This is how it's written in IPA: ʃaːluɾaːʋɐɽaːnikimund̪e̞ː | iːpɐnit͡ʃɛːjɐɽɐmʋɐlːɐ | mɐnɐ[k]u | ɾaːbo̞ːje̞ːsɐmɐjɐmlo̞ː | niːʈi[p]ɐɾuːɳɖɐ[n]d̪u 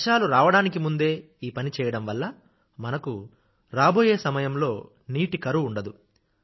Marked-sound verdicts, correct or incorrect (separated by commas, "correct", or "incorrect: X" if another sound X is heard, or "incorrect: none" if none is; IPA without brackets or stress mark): correct, incorrect: k, incorrect: none